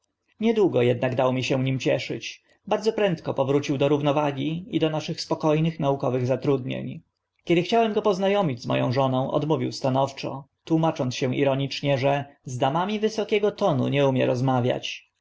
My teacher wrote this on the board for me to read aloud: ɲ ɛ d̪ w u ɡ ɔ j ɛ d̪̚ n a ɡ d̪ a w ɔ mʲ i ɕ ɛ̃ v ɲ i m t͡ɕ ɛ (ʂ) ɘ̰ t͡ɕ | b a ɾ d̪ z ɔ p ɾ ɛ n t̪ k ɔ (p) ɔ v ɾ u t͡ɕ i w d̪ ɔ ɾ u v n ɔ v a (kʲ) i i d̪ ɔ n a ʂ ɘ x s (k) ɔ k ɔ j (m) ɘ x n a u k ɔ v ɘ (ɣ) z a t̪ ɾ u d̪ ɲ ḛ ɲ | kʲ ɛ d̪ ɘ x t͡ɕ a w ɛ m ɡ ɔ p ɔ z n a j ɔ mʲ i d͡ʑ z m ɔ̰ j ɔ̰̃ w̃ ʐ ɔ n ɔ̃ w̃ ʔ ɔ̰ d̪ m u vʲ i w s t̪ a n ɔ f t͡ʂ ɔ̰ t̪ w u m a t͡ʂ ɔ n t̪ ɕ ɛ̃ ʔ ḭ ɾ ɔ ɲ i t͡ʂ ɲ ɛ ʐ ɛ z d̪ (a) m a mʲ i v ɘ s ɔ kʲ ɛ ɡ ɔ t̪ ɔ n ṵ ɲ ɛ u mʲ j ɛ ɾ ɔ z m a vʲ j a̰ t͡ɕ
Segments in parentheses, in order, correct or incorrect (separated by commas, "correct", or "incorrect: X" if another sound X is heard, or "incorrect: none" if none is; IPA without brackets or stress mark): correct, correct, incorrect: ɡʲ, incorrect: p, incorrect: n, correct, correct